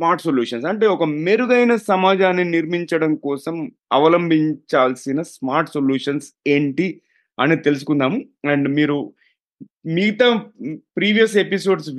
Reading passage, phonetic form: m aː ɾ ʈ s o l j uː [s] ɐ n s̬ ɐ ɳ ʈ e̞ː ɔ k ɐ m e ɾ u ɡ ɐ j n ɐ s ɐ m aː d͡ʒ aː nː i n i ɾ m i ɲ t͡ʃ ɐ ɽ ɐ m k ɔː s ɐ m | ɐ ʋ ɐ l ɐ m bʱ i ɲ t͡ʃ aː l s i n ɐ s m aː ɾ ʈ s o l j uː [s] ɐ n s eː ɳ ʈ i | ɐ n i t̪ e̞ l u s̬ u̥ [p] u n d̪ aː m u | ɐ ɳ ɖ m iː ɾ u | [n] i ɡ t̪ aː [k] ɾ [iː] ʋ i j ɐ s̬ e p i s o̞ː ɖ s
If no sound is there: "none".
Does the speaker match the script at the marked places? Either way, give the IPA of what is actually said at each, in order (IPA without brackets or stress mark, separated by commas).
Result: ʂ, ʂ, k, m, p, iː